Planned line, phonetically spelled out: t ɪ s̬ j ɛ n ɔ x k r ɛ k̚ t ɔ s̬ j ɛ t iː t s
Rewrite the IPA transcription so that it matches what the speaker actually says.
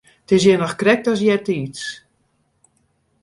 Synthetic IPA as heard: t ɪ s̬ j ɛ n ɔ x k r ɛ k̚ t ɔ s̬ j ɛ t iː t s